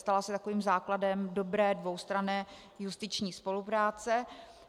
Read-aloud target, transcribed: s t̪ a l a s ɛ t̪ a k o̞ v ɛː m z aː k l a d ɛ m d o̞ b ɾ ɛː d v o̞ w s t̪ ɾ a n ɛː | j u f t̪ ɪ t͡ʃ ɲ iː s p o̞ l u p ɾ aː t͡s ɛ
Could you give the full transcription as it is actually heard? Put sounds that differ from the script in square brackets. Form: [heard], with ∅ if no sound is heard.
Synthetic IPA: s t̪ a l a s ɛ t̪ a k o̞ v [iː] m z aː k l a d ɛ m d o̞ b ɾ ɛː d v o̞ w s t̪ ɾ a n ɛː | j u [s] t̪ ɪ t͡ʃ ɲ iː s p o̞ l u p ɾ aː t͡s ɛ